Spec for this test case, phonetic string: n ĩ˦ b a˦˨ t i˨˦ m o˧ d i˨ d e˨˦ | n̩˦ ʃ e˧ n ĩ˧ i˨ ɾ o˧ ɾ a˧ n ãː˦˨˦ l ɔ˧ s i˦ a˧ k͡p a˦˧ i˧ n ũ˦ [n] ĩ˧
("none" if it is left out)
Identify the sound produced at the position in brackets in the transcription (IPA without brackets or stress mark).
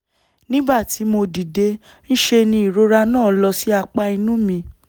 m